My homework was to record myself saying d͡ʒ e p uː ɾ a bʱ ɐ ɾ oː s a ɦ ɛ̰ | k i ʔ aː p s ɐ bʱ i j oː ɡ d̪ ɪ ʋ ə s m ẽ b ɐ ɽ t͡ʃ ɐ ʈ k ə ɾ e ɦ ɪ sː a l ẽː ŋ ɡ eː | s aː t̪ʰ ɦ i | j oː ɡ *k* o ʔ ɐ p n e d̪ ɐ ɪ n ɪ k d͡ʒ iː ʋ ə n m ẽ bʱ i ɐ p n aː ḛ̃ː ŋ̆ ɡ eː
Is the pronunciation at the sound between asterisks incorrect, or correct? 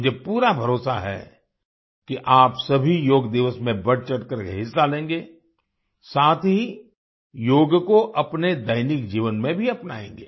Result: correct